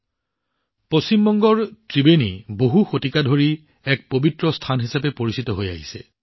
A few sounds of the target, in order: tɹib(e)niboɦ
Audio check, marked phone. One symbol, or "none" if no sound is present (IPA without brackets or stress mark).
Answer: e